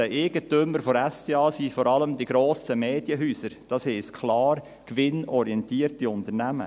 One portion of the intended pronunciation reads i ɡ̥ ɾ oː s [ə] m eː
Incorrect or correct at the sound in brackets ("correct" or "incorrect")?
correct